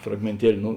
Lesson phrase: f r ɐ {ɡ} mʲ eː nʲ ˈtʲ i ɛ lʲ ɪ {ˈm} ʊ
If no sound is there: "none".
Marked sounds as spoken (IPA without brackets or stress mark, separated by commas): ɡ, n